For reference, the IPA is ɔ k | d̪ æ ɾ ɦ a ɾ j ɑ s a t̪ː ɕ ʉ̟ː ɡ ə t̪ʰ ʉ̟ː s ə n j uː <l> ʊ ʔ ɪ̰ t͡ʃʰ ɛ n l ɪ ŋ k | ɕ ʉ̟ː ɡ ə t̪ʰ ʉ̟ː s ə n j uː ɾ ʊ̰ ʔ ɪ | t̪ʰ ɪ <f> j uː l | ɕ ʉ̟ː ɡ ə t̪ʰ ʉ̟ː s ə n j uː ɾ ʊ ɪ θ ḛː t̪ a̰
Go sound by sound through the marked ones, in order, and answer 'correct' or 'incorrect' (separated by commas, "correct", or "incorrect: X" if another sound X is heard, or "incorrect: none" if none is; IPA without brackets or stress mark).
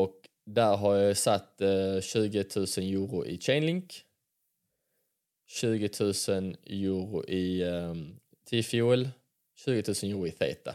incorrect: ɾ, correct